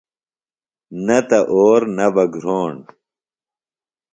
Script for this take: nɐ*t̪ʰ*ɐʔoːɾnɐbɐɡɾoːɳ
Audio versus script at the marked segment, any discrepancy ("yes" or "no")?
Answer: yes